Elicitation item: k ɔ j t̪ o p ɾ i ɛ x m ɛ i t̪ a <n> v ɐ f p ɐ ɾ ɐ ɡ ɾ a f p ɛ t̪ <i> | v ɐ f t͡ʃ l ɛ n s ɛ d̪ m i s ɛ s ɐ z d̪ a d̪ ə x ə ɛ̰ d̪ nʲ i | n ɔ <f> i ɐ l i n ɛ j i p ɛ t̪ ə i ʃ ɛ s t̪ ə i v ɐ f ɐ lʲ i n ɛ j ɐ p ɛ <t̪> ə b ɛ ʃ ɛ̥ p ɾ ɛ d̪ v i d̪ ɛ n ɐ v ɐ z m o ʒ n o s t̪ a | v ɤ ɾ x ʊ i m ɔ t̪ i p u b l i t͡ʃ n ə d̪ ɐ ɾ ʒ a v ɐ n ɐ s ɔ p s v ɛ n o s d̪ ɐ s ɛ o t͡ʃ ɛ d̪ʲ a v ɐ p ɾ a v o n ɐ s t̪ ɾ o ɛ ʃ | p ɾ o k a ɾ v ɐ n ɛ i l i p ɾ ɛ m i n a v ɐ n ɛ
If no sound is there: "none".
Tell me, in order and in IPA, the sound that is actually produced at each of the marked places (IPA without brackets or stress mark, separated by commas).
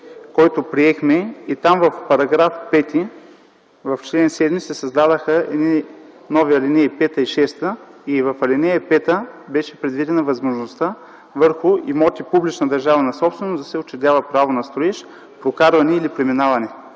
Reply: m, i, v, t̪